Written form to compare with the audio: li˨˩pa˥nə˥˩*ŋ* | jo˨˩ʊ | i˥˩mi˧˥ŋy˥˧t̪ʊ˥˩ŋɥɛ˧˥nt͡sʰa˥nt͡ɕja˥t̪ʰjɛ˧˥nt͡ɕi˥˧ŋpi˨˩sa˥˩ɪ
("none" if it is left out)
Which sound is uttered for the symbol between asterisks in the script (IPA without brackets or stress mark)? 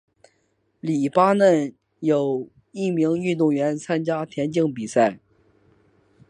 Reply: n